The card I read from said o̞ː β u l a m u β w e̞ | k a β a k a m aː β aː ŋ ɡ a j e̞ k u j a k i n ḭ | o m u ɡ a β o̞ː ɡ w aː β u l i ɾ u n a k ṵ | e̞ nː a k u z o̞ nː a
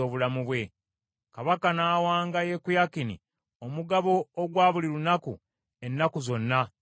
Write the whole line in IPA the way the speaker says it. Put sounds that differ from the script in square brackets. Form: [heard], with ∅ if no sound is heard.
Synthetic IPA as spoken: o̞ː β u l a m u β w e̞ | k a β a k a [n] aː [w] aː ŋ ɡ a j e̞ k u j a k i n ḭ | o m u ɡ a β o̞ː ɡ w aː β u l i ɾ u n a k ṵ | e̞ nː a k u z o̞ nː a

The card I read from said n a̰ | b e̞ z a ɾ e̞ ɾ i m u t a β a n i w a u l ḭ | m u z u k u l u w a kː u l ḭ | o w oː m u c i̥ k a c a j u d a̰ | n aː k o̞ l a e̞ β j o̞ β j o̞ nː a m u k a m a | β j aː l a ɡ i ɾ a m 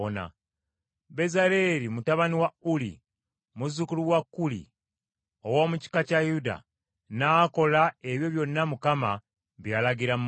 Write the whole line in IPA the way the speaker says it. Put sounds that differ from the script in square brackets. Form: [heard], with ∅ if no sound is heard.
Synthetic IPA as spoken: n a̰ | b e̞ z a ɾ e̞ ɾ i m u t a β a n i w a u l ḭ | m u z u k u l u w a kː u l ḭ | o w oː m u c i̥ k a c a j u d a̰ | n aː k o̞ l a e̞ β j o̞ β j o̞ nː a m u k a m a | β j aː l a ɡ i ɾ a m

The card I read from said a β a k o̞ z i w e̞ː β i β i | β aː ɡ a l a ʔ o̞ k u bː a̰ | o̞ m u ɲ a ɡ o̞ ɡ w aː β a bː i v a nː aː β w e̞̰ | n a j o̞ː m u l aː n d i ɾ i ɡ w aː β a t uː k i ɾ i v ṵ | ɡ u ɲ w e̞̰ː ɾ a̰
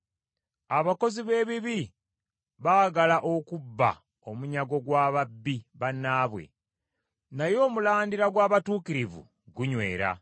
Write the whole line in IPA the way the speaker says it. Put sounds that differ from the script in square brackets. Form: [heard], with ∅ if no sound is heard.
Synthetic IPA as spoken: a β a k o̞ z i [β] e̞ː β i β i | β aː ɡ a l a ʔ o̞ k u bː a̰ | o̞ m u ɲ a ɡ o̞ ɡ w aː β a bː i [β] a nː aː β w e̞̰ | n a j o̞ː m u l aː n d i ɾ [a] ɡ w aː β a t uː k i ɾ i v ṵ | ɡ u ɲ w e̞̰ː ɾ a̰

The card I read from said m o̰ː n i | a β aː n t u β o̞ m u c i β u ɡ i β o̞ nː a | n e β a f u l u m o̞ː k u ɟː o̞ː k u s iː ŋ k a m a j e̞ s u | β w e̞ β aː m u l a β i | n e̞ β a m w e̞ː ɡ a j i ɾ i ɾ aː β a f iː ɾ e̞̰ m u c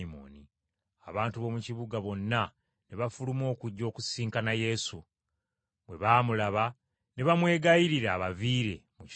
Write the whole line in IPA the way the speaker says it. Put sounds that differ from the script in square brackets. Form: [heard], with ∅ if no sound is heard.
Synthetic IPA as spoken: m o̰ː n i | a β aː n t u β o̞ m u c i β u ɡ [a] β o̞ nː a | n e β a f u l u m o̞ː k u ɟː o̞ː k u s iː ŋ k a [n] a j e̞ s u | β w e̞ β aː m u l a β [a] | n e̞ β a m w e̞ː ɡ a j i ɾ i ɾ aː β a [v] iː ɾ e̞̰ m u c

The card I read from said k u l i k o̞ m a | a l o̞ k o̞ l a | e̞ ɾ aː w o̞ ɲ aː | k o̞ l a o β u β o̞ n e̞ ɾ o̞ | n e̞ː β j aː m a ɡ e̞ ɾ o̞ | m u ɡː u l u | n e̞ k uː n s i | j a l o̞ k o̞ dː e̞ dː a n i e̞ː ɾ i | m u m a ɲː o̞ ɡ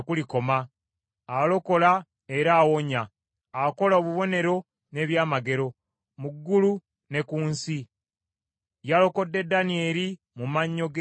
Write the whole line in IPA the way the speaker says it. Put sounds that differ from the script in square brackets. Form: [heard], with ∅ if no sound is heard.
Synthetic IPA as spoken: k u l i k o̞ m a | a l o̞ k o̞ l a | e̞ ɾ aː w o̞ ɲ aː | k o̞ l a o β u β o̞ n e̞ ɾ o̞ | n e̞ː β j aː m a ɡ e̞ ɾ o̞ | m u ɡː u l u | n e̞ k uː n s i | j a l o̞ k o̞ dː e̞ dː a n i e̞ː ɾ i | m u m a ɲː o̞ ɡ

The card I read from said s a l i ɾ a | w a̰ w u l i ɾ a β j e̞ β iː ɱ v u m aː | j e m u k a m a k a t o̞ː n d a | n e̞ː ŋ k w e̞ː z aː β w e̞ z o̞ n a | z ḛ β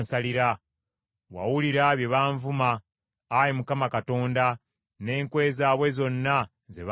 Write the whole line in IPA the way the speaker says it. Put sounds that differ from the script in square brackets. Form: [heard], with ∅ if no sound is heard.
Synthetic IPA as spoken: s a l i ɾ a | w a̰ w u l i ɾ a β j e̞ β [aː] ɱ v u m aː | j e m u k a m a k a t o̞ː n d a | n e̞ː ŋ k w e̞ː z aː β w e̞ z o̞ [nː] a | z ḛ β

